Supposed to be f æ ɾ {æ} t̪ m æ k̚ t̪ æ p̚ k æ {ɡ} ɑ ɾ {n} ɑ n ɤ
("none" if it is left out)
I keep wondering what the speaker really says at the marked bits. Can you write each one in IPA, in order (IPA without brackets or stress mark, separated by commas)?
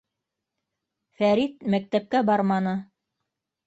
i, b, m